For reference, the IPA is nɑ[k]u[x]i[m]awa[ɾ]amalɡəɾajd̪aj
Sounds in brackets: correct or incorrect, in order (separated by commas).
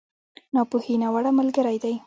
incorrect, incorrect, incorrect, incorrect